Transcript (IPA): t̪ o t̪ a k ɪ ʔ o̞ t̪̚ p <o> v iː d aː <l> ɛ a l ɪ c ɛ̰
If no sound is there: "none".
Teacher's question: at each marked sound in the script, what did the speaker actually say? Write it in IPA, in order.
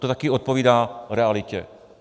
o, ɾ

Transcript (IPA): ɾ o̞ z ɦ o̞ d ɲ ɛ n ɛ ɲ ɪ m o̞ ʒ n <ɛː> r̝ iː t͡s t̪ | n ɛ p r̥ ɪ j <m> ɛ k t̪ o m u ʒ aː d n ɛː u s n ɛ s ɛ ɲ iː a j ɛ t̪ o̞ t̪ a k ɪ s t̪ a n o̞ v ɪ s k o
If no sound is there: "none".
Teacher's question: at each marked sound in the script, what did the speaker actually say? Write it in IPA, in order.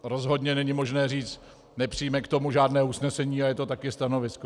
ɛː, m

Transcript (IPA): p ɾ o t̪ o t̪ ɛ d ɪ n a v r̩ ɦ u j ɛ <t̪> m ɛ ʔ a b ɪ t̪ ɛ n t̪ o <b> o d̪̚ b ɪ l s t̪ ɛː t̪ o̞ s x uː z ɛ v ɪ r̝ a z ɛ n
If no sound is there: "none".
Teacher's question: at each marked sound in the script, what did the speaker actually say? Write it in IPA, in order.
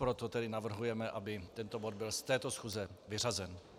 none, b

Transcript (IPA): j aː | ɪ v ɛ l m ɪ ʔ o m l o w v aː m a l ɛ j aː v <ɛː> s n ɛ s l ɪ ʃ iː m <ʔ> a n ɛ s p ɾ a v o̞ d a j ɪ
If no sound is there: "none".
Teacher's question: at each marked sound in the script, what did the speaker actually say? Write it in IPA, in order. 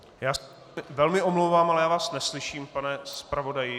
aː, p

